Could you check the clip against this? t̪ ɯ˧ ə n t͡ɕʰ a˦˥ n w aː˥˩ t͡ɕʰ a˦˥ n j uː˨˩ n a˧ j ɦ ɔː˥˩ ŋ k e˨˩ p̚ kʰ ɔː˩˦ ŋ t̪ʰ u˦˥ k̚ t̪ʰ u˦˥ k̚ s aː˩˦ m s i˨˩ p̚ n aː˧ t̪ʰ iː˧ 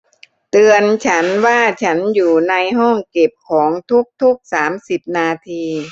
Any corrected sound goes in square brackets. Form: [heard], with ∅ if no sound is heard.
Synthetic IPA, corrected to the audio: t̪ ɯ˧ ə n t͡ɕʰ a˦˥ n w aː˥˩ t͡ɕʰ a˦˥ n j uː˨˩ n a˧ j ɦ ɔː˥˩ ŋ k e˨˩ p̚ kʰ ɔː˩˦ ŋ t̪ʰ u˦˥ k̚ t̪ʰ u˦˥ k̚ s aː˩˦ m s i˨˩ p̚ n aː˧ t̪ʰ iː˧